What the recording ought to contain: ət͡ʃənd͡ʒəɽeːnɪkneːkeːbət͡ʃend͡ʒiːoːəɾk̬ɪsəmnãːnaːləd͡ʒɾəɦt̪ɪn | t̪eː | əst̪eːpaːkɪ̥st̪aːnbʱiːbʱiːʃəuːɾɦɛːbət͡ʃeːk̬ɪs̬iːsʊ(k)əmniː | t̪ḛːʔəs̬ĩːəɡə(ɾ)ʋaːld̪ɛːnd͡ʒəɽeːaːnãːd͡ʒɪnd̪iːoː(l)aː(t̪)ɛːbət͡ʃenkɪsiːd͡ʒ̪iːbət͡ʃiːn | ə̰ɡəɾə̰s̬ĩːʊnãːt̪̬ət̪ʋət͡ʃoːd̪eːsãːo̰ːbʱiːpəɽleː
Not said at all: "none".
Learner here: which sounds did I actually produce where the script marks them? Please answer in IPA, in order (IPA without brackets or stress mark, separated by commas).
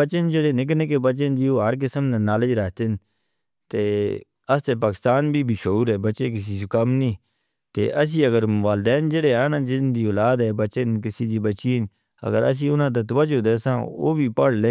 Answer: k, ɾ, l, d̪